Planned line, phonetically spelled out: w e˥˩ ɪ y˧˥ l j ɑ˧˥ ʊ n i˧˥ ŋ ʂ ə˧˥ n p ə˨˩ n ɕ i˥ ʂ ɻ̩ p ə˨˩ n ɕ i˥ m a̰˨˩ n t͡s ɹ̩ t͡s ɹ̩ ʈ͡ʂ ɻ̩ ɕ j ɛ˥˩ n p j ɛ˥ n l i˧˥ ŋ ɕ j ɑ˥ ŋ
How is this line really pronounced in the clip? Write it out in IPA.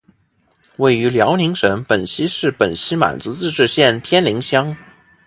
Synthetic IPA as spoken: w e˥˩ ɪ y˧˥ l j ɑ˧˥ ʊ n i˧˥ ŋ ʂ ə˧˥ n p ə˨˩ n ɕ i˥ ʂ ɻ̩ p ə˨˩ n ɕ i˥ m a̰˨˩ n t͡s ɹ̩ t͡s ɹ̩ ʈ͡ʂ ɻ̩ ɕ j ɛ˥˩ n pʰ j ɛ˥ n l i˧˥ ŋ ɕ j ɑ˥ ŋ